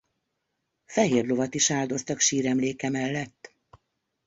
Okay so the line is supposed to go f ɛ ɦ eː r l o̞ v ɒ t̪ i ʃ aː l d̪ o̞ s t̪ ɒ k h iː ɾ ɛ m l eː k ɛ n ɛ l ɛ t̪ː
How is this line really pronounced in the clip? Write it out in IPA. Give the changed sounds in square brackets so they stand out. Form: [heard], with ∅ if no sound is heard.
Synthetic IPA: f ɛ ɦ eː r l o̞ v ɒ t̪ i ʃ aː l d̪ o̞ s t̪ ɒ k [ʃ] iː ɾ ɛ m l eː k ɛ [m] ɛ [lː] ɛ t̪ː